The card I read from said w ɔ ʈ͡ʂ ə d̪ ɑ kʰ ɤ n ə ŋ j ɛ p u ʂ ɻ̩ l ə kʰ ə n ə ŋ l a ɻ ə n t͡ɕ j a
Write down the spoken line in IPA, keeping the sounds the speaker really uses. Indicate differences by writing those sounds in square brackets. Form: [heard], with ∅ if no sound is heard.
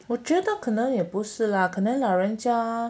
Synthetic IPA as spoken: w ɔ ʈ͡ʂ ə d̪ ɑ kʰ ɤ n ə ŋ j ɛ p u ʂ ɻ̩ l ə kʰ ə n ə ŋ l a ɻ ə n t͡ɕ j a